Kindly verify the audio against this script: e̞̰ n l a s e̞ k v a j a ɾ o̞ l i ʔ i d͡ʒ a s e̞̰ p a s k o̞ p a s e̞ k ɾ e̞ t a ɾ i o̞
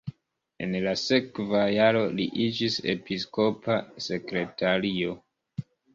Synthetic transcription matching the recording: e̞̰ n l a s e̞ k v a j a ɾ o̞ l i ʔ i d͡ʒ i s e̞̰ p i s k o̞ p a s e̞ k ɾ e̞ t a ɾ i o̞